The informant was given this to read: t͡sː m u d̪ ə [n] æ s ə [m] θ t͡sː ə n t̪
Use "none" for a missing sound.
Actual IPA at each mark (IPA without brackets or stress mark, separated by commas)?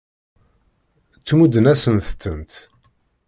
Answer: n, n